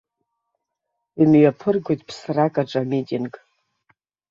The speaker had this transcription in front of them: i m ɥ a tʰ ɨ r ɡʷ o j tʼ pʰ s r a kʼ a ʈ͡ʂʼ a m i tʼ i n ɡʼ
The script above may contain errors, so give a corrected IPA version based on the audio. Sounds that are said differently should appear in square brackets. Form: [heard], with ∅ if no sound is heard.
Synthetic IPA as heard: i m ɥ a [pʰ] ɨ r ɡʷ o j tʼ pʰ s r a kʼ a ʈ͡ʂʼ a m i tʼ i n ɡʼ